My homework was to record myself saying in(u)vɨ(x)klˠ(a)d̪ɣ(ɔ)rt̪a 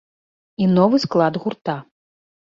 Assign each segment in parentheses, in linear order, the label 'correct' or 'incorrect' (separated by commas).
incorrect, incorrect, correct, incorrect